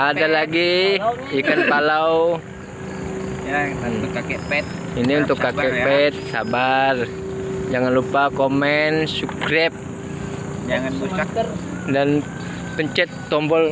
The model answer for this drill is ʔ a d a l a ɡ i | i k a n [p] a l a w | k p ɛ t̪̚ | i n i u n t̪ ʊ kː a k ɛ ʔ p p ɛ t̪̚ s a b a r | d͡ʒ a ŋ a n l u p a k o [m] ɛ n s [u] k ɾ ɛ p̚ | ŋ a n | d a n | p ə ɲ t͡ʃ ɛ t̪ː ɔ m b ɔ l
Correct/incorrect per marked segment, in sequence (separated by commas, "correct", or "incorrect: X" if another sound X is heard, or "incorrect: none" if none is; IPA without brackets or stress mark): correct, correct, correct